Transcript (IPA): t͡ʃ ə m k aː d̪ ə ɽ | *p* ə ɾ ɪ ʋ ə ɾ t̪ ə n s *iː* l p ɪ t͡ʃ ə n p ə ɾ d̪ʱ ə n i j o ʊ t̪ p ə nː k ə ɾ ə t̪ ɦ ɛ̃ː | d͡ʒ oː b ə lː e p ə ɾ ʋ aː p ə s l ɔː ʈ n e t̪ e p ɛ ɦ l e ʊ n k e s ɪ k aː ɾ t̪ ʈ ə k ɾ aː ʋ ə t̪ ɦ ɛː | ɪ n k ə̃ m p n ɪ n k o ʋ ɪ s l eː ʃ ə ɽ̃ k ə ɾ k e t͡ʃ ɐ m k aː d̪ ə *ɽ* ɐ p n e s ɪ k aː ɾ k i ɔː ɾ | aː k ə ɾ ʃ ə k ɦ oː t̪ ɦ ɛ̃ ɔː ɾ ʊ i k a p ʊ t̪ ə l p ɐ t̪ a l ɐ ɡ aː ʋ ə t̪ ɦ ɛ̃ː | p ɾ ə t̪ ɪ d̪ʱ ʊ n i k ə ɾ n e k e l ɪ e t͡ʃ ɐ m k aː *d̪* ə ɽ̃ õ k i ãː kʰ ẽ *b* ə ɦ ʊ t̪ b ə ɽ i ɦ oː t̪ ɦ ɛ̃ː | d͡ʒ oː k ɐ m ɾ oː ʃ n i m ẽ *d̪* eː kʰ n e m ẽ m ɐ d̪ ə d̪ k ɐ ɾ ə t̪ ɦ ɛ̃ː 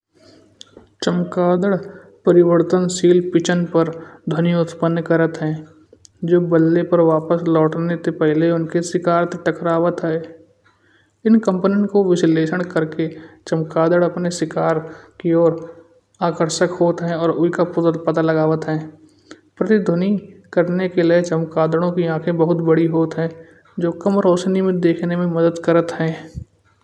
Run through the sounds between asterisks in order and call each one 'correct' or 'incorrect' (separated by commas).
correct, correct, correct, correct, correct, correct